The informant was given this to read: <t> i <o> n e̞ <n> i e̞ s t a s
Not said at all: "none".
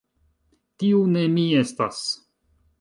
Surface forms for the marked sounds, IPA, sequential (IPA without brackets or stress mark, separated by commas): t, u, m